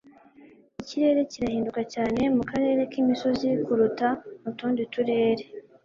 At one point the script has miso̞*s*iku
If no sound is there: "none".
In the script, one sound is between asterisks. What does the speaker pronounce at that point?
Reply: z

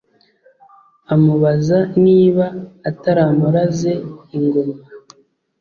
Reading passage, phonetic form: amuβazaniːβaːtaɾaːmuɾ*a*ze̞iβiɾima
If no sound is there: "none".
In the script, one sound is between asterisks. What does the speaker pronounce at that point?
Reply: a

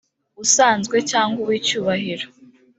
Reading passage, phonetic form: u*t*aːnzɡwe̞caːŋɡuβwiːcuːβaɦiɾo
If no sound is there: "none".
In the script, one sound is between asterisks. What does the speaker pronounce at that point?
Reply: s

